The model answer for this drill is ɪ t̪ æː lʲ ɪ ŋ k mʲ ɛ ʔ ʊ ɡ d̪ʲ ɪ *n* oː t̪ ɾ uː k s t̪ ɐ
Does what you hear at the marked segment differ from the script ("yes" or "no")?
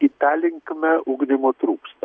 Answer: yes